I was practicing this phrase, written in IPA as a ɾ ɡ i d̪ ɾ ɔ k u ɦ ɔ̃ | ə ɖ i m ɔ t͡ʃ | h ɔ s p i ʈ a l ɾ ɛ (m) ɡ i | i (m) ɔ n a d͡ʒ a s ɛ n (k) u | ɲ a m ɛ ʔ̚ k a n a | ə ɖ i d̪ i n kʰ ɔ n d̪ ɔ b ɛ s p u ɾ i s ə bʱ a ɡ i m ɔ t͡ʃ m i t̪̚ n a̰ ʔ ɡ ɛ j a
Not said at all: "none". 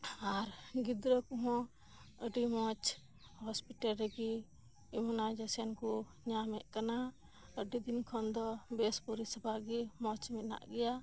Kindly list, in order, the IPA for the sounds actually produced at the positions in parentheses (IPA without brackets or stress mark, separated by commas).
none, m, k